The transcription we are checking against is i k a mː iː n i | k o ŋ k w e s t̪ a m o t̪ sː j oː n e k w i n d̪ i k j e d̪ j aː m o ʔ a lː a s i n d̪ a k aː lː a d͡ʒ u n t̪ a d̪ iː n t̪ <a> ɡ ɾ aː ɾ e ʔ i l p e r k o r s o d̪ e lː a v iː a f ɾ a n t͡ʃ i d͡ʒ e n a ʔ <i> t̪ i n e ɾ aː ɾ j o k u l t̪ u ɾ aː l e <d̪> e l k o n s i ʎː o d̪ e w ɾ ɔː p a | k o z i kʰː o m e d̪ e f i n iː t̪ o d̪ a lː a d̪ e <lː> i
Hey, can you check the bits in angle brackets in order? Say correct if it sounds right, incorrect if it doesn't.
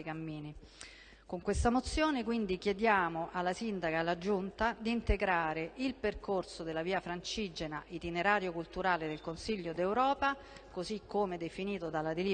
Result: incorrect: e, correct, correct, incorrect: l

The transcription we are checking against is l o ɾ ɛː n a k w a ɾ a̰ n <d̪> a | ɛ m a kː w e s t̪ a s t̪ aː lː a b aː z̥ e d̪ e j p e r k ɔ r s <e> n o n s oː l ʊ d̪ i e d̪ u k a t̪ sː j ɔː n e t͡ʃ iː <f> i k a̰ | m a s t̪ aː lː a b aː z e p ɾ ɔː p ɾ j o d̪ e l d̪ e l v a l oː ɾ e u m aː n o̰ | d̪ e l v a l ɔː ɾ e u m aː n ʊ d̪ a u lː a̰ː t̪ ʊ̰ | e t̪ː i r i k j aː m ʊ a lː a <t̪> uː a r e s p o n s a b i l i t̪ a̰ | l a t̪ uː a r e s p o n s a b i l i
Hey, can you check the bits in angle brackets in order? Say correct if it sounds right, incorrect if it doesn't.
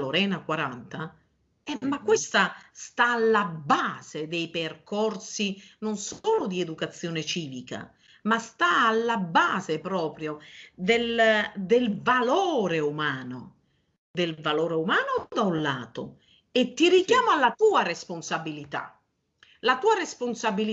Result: incorrect: t̪, incorrect: i, incorrect: v, correct

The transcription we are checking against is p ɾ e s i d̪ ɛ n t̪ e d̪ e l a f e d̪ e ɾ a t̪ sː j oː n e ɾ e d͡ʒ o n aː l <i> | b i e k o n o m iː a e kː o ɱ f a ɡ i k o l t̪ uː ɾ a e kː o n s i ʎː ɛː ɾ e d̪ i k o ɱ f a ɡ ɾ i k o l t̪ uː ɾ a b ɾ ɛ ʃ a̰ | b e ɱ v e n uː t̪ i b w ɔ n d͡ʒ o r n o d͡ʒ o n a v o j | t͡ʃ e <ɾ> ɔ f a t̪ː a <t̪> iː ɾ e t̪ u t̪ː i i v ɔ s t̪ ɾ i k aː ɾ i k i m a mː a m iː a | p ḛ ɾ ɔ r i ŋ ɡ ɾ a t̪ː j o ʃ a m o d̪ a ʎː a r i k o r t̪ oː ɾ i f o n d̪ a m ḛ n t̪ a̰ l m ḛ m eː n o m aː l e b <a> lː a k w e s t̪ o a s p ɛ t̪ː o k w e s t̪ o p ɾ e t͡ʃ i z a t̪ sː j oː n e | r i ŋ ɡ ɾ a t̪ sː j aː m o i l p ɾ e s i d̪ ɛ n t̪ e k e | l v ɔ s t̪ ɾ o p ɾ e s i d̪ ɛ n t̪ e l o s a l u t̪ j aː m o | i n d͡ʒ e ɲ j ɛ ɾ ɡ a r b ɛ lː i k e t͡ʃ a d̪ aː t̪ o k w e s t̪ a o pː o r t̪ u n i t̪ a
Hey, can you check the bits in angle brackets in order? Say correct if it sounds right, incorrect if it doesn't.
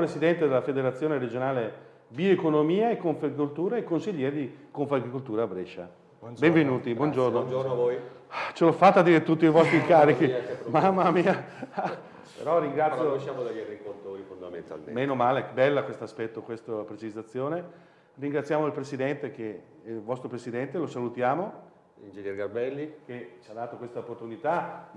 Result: incorrect: e, incorrect: l, incorrect: d̪, incorrect: ɛ

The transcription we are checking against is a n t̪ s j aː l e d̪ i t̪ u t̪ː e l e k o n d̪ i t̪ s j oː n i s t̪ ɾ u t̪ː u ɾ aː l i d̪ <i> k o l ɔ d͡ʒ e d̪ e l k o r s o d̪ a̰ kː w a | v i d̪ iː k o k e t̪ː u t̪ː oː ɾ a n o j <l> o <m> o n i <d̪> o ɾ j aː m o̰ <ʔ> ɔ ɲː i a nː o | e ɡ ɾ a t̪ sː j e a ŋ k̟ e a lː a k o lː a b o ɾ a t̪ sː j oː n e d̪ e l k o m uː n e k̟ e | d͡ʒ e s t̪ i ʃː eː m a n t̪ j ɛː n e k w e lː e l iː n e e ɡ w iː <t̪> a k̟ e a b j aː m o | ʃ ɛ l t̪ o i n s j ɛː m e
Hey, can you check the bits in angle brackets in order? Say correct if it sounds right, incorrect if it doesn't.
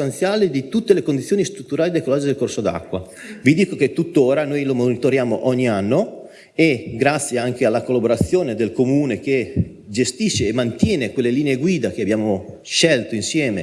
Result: incorrect: e, correct, correct, incorrect: t̪, correct, incorrect: d̪

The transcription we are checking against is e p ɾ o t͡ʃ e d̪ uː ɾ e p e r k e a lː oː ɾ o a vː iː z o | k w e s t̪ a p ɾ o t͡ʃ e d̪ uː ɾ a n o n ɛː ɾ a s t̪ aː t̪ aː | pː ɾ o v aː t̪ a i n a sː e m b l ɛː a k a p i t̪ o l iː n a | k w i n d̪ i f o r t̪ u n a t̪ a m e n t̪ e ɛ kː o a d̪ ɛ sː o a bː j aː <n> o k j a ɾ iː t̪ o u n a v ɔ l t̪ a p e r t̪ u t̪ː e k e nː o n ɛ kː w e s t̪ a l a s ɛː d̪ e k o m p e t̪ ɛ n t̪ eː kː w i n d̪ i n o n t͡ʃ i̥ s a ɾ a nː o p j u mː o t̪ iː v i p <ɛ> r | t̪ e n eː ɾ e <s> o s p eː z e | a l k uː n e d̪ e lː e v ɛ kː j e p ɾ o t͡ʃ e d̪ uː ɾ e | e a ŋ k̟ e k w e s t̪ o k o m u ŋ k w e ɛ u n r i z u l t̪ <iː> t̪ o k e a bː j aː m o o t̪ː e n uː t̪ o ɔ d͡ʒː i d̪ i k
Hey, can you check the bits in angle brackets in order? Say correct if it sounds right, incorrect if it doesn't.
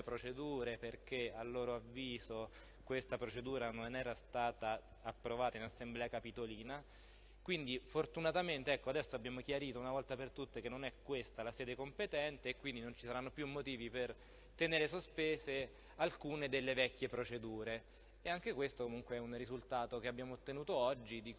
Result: incorrect: m, incorrect: e, correct, incorrect: aː

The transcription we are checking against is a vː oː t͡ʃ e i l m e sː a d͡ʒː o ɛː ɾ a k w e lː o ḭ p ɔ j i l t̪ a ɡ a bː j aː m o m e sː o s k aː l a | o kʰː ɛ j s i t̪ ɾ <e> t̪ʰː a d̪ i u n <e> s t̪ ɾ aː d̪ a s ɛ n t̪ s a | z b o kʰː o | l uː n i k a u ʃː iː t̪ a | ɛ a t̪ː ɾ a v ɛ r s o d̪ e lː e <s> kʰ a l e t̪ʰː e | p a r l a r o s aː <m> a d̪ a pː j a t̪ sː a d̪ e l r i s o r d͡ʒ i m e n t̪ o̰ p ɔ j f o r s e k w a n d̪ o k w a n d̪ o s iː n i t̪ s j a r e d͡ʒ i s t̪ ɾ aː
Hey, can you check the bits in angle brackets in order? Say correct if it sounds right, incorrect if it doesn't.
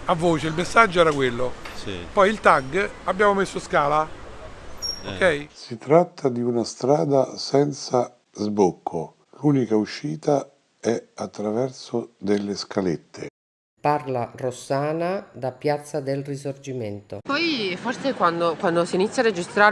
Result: incorrect: a, incorrect: a, correct, incorrect: n

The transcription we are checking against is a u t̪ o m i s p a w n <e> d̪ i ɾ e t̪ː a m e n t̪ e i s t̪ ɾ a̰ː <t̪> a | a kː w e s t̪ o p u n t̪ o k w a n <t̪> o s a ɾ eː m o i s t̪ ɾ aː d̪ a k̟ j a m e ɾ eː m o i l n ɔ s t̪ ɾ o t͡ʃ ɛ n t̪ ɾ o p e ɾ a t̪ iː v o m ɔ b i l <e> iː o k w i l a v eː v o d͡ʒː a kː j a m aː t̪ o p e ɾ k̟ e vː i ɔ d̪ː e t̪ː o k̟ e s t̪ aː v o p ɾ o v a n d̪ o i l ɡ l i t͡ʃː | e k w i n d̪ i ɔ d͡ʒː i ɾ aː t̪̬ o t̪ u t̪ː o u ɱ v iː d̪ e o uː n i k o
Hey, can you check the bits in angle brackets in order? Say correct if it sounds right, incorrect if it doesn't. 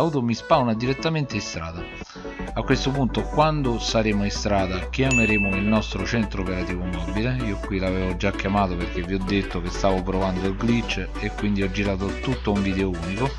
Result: incorrect: a, incorrect: d̪, incorrect: d̪, correct

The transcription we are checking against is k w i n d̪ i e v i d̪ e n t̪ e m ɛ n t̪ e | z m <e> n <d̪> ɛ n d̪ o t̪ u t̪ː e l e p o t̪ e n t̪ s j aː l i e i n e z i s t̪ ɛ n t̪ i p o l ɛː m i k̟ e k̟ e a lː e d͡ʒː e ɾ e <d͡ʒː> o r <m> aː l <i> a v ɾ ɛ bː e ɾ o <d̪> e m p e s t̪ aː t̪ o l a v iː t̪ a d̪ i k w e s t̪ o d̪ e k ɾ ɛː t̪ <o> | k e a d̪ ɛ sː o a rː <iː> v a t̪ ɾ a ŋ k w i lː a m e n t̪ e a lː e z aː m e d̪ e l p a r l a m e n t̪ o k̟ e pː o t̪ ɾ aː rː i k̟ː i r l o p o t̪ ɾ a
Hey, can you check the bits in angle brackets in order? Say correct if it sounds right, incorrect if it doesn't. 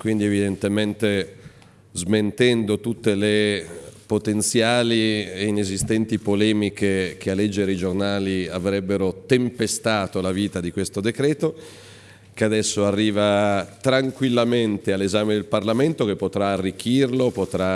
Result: correct, incorrect: t̪, incorrect: d͡ʒ, incorrect: n, correct, incorrect: t̪, correct, correct

